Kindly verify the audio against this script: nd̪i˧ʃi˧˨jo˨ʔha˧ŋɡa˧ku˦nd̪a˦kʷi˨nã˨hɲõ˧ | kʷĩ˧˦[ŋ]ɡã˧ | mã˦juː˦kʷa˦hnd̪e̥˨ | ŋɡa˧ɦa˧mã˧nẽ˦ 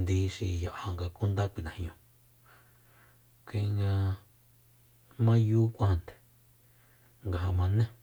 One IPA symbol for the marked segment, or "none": ŋ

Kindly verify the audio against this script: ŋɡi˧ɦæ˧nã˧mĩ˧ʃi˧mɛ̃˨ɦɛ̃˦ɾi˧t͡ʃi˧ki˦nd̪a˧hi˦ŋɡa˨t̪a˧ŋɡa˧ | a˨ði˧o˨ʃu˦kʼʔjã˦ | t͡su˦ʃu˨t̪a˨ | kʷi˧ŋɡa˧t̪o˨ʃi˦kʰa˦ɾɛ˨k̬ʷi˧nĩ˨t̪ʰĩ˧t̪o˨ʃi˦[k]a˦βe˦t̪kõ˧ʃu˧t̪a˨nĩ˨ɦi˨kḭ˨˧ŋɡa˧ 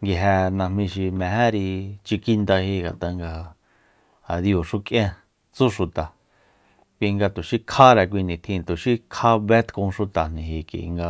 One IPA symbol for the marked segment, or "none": kʰ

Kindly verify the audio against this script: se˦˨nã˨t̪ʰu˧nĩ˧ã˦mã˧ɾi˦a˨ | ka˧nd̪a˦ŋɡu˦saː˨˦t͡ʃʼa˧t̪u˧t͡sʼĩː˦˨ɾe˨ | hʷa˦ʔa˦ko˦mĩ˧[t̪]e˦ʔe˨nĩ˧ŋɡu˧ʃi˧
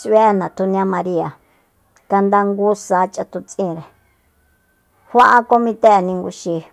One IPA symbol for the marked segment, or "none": t̪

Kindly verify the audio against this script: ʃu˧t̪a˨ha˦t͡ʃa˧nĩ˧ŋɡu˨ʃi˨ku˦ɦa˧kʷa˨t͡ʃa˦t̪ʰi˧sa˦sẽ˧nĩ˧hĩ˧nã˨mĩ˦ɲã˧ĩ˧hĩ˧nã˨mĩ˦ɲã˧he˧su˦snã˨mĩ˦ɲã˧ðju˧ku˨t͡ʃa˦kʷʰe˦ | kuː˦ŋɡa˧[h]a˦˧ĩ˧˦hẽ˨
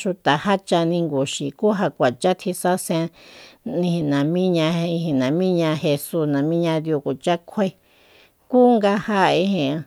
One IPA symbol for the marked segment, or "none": h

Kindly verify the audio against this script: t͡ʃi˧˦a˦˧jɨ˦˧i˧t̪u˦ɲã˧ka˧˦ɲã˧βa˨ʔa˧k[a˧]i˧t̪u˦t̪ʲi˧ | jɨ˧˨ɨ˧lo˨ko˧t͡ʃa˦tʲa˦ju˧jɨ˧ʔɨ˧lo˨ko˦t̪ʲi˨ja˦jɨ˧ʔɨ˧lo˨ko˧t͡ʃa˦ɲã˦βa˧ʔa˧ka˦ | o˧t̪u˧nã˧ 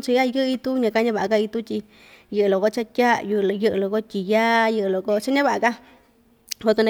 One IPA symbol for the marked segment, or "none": a˧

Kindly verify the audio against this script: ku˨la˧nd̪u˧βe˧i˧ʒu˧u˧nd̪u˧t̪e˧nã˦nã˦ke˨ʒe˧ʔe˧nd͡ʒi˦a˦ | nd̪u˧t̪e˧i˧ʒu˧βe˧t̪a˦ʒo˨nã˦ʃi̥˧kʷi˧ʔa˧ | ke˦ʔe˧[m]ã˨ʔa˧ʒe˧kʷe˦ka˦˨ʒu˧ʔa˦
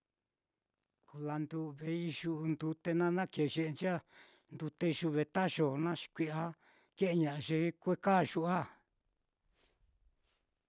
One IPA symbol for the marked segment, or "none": ɲ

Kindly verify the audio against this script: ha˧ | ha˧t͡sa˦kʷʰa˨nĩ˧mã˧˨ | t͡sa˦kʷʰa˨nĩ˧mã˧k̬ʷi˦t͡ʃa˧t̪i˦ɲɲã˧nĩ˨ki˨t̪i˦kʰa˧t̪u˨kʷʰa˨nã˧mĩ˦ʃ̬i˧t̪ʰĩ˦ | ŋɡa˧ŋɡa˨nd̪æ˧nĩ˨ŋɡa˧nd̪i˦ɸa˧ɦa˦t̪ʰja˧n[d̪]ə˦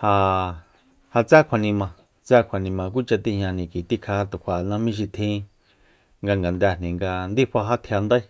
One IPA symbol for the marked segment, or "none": d̪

